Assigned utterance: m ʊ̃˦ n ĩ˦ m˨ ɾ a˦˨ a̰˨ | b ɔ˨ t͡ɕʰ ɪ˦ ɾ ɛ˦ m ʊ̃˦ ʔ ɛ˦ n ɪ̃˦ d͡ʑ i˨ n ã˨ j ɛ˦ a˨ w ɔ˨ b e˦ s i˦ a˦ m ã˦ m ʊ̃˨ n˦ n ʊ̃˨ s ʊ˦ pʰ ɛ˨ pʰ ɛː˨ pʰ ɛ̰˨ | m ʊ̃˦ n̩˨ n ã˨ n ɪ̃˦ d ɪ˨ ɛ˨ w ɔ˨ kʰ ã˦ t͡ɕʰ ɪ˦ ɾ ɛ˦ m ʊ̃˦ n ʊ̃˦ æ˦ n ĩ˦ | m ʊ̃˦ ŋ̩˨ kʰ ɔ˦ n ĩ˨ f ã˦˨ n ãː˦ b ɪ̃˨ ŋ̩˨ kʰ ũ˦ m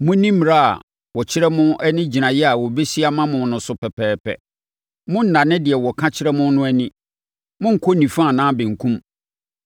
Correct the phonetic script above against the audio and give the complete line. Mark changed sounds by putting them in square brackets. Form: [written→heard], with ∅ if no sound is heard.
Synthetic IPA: m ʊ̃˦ n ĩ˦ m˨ ɾ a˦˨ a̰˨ | [b→w] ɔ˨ t͡ɕʰ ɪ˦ ɾ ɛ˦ m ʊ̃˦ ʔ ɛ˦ n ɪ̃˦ d͡ʑ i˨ n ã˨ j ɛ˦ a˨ w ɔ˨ b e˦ s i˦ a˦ m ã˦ m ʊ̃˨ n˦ n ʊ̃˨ s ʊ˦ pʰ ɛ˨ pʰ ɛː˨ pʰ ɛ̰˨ | m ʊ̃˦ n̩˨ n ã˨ n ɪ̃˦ d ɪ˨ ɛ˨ w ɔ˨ kʰ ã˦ t͡ɕʰ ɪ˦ ɾ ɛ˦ m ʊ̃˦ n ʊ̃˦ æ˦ n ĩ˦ | m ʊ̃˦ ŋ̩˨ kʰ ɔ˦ n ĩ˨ f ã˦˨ n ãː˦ b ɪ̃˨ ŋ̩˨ kʰ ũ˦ m